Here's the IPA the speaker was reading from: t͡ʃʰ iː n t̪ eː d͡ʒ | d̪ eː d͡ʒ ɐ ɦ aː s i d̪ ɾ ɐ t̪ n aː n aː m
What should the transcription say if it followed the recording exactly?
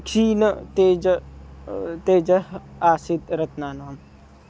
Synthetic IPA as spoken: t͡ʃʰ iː n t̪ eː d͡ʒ | t̪ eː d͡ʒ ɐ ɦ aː s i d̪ ɾ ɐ t̪ n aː n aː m

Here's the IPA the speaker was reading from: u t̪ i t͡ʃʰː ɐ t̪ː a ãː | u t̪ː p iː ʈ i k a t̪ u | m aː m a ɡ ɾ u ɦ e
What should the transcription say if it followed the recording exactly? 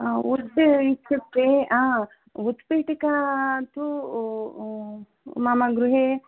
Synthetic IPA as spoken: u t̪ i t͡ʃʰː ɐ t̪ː e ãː | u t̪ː p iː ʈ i k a t̪ u | m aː m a ɡ ɾ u ɦ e

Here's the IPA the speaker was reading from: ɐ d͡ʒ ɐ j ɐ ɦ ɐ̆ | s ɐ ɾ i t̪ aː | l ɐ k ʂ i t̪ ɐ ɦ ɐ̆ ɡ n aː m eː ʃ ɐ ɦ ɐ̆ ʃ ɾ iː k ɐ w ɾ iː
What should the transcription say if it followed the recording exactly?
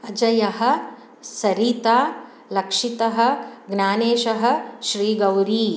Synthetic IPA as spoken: ɐ d͡ʒ ɐ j ɐ ɦ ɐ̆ | s ɐ ɾ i t̪ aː | l ɐ k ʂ i t̪ ɐ ɦ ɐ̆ ɡ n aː n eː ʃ ɐ ɦ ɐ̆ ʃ ɾ iː ɡ ɐ w ɾ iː

